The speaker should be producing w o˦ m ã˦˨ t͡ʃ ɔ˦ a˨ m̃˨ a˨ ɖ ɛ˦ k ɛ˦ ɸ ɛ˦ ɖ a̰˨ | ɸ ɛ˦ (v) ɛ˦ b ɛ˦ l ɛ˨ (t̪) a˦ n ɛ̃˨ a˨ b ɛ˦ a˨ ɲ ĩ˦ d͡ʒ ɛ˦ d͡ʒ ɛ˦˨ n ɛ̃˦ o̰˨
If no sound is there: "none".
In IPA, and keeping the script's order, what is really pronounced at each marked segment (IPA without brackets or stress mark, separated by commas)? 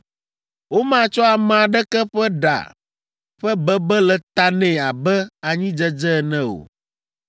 b, t̪